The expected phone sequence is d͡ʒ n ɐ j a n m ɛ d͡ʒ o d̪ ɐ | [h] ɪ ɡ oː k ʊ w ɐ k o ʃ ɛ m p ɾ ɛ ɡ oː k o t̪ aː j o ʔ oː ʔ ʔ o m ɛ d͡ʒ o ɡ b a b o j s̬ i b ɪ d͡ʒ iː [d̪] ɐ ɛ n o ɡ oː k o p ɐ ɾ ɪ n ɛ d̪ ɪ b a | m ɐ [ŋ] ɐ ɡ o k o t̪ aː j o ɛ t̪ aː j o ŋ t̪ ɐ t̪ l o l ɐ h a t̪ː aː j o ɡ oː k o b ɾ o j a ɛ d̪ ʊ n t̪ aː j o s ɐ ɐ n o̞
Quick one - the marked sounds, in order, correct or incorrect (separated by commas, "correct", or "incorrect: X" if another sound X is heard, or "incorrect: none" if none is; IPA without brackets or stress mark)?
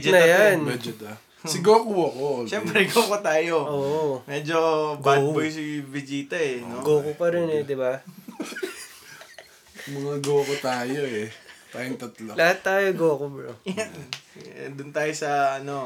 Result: incorrect: s, incorrect: t̪, correct